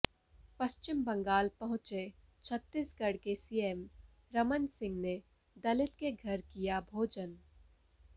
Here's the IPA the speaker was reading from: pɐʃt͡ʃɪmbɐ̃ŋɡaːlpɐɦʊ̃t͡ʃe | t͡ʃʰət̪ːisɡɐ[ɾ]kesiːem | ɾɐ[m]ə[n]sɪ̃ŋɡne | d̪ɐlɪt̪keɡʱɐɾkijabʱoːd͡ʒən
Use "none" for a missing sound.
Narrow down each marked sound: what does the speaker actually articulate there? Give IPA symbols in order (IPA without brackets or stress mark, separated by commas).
ɽ, m, n